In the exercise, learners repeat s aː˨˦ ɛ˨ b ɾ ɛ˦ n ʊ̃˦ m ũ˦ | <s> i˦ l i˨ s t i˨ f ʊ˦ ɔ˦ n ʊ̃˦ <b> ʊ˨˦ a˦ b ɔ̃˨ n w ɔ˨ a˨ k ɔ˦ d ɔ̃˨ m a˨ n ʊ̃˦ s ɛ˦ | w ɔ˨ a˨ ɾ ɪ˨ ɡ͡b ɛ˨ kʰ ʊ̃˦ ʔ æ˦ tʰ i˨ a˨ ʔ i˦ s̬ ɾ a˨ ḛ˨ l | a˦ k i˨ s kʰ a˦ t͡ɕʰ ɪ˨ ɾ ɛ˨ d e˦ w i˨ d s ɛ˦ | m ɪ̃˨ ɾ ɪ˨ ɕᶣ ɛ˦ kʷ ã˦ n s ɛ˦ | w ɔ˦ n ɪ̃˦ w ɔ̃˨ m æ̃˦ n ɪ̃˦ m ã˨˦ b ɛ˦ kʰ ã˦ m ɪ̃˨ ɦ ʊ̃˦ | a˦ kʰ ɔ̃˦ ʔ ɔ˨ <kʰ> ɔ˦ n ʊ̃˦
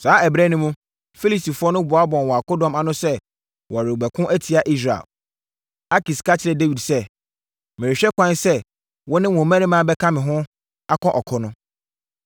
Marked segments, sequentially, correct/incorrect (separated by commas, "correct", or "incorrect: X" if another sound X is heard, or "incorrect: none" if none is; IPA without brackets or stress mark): incorrect: f, correct, correct